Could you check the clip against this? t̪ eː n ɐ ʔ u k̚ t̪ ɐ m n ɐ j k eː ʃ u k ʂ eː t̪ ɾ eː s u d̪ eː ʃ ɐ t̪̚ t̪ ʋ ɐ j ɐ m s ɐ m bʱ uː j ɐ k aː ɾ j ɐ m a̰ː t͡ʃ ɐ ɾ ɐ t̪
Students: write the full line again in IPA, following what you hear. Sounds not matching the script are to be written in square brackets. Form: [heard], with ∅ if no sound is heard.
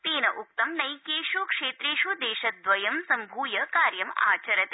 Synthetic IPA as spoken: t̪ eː n ɐ ʔ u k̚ t̪ ɐ m n ɐ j k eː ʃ u k ʂ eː t̪ ɾ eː [ʃ] u d̪ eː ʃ ɐ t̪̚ [d̪] ʋ ɐ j ɐ m s ɐ m bʱ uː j ɐ k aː ɾ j ɐ m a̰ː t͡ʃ ɐ ɾ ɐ t̪